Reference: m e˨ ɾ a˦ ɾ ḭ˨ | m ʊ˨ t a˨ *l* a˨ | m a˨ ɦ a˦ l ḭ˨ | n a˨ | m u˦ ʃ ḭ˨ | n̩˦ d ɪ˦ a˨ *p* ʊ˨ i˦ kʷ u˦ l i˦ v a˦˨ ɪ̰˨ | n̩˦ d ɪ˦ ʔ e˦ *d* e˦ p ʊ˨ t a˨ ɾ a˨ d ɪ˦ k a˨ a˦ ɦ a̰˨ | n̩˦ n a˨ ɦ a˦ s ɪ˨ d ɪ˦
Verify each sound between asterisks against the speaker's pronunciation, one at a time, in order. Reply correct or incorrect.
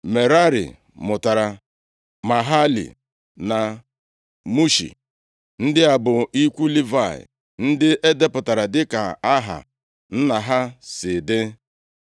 incorrect, incorrect, correct

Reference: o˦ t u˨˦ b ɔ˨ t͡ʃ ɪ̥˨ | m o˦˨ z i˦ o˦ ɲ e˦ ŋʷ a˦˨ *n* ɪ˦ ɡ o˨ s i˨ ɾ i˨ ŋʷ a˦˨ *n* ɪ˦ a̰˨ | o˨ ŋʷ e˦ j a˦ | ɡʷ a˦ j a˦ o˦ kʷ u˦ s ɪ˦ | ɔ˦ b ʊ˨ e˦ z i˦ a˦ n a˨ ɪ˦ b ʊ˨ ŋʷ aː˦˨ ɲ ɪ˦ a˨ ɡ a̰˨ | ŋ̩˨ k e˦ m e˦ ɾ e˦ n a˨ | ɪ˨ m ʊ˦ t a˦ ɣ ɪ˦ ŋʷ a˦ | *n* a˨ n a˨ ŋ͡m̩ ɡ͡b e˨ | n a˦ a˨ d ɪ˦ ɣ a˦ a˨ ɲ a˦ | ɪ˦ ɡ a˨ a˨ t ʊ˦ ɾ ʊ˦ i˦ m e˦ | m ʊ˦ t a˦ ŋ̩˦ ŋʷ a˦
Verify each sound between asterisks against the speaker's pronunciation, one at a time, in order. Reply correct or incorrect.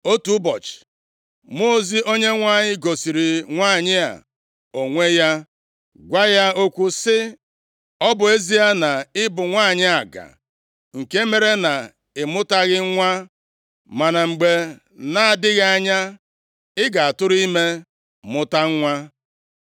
incorrect, incorrect, incorrect

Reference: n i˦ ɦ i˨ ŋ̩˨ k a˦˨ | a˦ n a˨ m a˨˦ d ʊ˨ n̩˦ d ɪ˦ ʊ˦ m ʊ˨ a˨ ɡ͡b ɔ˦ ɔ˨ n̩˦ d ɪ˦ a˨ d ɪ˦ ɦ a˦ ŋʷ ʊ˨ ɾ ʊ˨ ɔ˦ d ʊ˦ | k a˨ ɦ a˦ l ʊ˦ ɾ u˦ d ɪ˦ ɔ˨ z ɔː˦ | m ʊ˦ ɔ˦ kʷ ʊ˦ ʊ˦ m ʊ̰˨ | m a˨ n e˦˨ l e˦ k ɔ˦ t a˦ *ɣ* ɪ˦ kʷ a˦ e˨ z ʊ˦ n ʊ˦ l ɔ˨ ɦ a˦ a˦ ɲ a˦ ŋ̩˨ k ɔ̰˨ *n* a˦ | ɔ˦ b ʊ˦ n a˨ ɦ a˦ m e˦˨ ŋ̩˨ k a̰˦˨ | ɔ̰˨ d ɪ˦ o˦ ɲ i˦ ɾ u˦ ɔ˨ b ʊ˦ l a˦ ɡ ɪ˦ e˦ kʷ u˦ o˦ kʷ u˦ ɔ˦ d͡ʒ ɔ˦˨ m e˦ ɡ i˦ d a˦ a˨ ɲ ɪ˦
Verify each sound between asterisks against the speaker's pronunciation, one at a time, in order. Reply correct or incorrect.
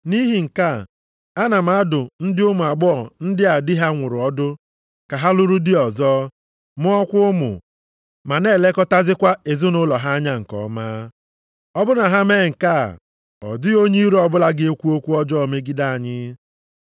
incorrect, incorrect

